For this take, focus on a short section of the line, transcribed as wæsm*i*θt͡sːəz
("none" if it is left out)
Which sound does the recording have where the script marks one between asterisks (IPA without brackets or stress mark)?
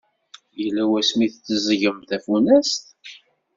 i